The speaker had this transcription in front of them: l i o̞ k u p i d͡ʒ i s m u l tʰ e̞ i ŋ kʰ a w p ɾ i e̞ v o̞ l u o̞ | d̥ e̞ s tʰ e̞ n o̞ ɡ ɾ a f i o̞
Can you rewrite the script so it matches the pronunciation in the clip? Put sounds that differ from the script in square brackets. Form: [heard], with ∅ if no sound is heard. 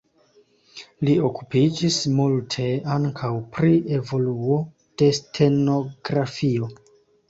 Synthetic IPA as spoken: l i o̞ k u p i d͡ʒ i s m u l tʰ e̞ [a] ŋ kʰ a w p ɾ i e̞ v o̞ l u o̞ | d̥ e̞ s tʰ e̞ n o̞ ɡ ɾ a f i o̞